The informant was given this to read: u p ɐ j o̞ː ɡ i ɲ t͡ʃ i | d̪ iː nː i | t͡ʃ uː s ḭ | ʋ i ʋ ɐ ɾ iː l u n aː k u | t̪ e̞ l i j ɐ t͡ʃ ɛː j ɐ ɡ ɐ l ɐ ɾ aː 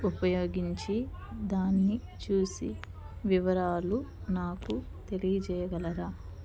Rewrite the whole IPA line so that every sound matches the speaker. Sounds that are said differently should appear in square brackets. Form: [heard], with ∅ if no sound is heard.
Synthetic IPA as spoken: u p ɐ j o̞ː ɡ i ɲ t͡ʃ i | d̪ [aː] nː i | t͡ʃ uː s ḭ | ʋ i ʋ ɐ ɾ [aː] l u n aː k u | t̪ e̞ l i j ɐ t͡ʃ ɛː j ɐ ɡ ɐ l ɐ ɾ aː